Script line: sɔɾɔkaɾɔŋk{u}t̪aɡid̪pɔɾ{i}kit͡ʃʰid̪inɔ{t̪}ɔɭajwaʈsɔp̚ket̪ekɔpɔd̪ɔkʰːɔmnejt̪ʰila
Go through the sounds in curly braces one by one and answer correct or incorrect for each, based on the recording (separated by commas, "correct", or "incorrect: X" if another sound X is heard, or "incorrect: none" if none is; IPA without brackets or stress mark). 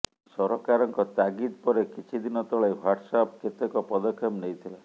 incorrect: ɔ, incorrect: e, correct